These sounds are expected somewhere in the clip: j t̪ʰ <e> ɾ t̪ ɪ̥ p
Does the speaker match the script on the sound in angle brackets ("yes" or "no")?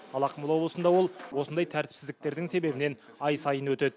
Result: no